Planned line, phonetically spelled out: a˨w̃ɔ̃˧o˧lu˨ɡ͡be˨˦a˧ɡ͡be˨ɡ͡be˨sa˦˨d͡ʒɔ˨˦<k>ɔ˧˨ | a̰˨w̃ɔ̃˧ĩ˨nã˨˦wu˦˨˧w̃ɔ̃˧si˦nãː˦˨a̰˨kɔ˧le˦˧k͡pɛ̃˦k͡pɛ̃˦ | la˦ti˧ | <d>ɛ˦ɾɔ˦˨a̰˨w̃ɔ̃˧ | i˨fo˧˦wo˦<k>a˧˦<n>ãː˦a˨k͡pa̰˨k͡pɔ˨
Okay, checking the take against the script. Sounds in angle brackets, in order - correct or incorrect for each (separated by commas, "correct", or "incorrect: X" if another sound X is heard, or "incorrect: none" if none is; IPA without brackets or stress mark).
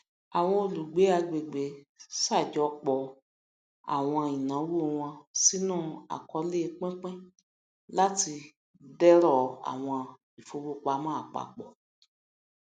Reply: incorrect: k͡p, correct, incorrect: k͡p, incorrect: m